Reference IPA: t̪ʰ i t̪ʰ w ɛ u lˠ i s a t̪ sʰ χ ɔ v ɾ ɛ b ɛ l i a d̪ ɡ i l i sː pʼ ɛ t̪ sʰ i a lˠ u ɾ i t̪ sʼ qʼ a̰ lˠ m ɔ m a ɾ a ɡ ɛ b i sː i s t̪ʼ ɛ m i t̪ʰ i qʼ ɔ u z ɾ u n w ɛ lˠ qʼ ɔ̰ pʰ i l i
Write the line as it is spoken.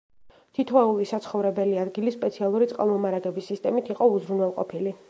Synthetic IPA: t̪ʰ i t̪ʰ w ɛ u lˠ i s a t̪ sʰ χ ɔ v ɾ ɛ b ɛ l i a d̪ ɡ i l i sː pʼ ɛ t̪ sʰ i a lˠ u ɾ i t̪ sʼ qʼ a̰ lˠ m ɔ m a ɾ a ɡ ɛ b i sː i s t̪ʼ ɛ m i t̪ʰ i qʼ ɔ u z ɾ u n w ɛ lˠ qʼ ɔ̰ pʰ i l i